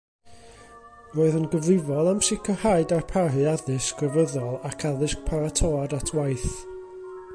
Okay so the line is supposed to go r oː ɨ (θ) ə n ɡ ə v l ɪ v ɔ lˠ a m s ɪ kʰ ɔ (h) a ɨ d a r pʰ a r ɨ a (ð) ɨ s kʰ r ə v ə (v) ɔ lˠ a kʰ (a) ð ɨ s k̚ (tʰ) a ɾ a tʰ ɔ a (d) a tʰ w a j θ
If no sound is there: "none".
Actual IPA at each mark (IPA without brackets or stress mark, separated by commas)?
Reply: ð, h, ð, ð, a, pʰ, d